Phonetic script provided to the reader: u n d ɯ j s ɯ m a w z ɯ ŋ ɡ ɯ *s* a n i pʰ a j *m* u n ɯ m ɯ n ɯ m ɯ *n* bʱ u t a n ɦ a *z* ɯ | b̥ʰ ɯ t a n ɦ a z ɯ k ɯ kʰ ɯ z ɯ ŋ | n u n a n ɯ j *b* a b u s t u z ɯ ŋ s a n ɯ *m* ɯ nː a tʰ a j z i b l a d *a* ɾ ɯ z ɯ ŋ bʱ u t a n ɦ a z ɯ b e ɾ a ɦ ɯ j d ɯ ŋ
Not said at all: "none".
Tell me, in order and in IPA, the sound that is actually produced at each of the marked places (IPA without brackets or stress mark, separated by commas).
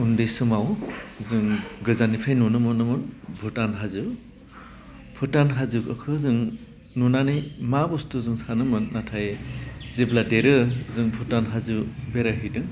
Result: z, n, n, z, m, m, e